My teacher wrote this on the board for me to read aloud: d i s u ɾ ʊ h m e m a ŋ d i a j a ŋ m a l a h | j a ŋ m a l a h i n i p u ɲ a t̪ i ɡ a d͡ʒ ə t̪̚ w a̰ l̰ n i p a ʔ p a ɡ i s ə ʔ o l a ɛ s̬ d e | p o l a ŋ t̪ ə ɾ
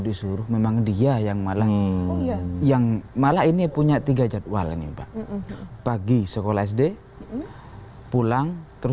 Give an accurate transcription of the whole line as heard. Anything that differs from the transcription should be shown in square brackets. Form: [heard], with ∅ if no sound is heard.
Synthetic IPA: d i s u ɾ ʊ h m e m a ŋ d i a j a ŋ m a l a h | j a ŋ m a l a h i n i p u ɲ a t̪ i ɡ a d͡ʒ [a] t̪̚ w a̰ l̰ n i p a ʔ p a ɡ i s ə [k] o l a ɛ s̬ d e | p [u] l a ŋ t̪ ə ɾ